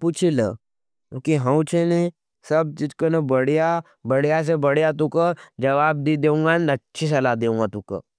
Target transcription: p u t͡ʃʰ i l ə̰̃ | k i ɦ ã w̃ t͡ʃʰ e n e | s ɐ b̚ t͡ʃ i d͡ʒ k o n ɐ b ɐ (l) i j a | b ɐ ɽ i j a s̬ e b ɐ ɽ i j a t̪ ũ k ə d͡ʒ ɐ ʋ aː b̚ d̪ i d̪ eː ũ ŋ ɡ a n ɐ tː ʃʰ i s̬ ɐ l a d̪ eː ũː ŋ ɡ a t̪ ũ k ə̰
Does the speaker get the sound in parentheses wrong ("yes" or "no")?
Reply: yes